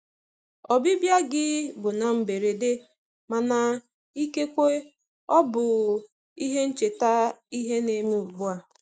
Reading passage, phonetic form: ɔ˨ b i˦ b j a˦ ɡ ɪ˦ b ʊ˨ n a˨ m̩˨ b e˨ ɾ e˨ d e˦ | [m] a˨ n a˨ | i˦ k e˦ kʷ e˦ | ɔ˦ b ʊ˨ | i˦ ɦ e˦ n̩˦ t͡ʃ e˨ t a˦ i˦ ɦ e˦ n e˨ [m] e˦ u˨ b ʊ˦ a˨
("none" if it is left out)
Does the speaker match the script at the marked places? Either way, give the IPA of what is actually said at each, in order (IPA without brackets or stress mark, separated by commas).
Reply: m, m